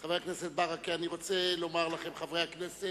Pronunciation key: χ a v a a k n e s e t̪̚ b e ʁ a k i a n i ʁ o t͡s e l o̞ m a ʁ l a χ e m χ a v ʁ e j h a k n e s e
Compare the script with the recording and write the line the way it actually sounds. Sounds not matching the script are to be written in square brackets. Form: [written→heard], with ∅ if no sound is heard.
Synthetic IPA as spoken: χ a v [a→e] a k n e s e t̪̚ b [e→a] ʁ a k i a n i ʁ o t͡s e l o̞ m a ʁ l a χ e m χ a v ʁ e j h a k n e s e

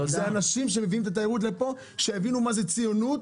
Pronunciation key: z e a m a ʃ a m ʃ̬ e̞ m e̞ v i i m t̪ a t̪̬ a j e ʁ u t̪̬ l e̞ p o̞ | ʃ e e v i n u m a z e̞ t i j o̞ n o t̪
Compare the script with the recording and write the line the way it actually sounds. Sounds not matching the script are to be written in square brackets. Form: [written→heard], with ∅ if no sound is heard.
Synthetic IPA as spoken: z e a [m→n] a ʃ [a→i] m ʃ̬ e̞ m e̞ v i i m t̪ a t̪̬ a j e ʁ u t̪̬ l e̞ p o̞ | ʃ e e v i n u m a z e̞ [t→t͡s] i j o̞ n [o→u] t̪

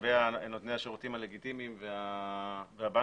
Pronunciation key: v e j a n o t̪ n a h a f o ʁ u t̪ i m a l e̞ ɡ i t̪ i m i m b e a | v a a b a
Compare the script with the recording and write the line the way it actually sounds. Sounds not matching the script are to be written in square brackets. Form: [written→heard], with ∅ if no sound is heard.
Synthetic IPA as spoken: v e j a n o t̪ n [a→e] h a [f→ʃ] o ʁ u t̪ i m a l e̞ ɡ i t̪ i m i m [b→v] e a | v [a→e] a b a

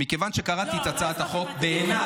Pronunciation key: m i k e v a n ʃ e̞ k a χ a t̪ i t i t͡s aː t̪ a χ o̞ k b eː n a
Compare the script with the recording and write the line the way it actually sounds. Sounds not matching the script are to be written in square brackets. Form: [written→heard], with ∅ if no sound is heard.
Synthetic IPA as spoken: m i k e v a n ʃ e̞ k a [χ→ʁ] a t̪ i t [i→a] t͡s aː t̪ a χ o̞ k b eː n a

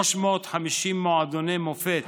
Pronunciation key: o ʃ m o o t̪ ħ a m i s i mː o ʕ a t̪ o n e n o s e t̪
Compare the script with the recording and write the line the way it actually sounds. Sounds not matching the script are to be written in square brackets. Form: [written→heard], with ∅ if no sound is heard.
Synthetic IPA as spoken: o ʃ m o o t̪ ħ a m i [s→ʃ] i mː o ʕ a [t̪→d̪] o n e [n→m] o [s→f] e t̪

